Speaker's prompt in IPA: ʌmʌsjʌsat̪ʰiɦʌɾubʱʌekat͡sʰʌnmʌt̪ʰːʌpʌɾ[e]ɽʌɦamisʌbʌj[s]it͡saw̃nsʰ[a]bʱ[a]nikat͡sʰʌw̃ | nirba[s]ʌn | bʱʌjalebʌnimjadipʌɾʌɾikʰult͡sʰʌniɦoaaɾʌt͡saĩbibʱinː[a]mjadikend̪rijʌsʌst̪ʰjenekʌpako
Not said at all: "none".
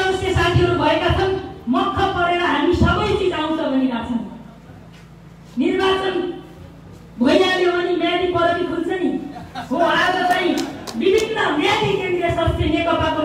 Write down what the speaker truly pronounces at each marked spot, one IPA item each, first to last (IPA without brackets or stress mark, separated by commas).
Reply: e, t͡s, ʌ, ʌ, t͡s, ʌ